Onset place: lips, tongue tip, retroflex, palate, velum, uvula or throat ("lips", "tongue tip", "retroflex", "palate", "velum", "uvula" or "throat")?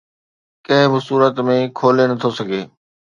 velum